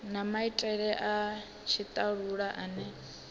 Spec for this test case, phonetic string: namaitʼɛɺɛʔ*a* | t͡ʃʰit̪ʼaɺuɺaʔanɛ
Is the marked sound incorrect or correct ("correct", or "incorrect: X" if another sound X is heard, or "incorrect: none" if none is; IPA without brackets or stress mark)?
correct